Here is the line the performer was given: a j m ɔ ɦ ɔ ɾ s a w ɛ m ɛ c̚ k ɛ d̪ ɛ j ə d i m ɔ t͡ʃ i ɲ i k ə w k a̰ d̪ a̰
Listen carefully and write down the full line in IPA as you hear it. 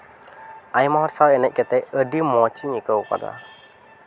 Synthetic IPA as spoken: a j m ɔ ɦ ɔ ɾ s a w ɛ n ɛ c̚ k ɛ t̪ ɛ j ə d i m ɔ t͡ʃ i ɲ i k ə w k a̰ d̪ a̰